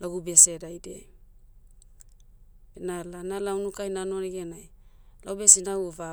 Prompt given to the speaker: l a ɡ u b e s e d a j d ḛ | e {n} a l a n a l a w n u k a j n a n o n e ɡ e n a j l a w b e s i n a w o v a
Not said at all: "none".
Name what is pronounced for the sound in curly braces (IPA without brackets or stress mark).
n